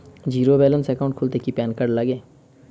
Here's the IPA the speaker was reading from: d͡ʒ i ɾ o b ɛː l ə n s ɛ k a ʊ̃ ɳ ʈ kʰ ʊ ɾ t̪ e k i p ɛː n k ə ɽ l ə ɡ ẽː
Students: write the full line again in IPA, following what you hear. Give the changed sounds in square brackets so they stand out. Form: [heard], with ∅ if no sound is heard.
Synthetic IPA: d͡ʒ [iː] ɾ o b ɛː l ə n s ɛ k a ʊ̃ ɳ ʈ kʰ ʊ [l] t̪ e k i p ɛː n k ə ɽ l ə ɡ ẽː

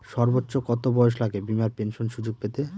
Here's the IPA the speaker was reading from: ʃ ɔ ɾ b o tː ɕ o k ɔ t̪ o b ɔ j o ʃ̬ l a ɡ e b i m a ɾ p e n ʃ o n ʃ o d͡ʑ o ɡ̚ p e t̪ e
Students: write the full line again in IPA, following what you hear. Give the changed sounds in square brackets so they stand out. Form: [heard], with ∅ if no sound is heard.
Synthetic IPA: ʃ ɔ ɾ b o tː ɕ o k ɔ t̪ o b ɔ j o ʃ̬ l a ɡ e b i m a ɾ p e n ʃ o n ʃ [u] d͡ʑ o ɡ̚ p e t̪ e

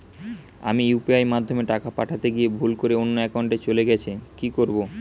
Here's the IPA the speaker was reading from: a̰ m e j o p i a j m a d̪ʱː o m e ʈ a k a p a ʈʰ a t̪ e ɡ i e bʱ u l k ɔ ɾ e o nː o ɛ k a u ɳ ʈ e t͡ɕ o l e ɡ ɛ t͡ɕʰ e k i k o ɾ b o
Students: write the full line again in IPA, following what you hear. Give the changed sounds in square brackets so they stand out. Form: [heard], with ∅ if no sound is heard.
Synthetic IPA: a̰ m [i] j [u] p i a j m a d̪ʱː o m e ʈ a k a p a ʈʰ a t̪ e ɡ i e bʱ u l k [o] ɾ e o nː o ɛ k a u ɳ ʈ e t͡ɕ o l e ɡ ɛ t͡ɕʰ e k i k o ɾ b o

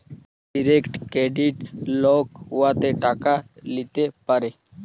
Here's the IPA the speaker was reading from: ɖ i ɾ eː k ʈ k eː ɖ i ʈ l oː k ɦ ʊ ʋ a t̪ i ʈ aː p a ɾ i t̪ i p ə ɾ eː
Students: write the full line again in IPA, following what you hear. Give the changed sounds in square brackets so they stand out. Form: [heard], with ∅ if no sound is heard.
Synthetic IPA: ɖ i ɾ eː k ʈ k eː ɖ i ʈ l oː k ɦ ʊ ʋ a t̪ [e] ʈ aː [k] a [l] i t̪ [e] p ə ɾ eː

